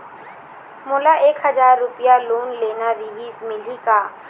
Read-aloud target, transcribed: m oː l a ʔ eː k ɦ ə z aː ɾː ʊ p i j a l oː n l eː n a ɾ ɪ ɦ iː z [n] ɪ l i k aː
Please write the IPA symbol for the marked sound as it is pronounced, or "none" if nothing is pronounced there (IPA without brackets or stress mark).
m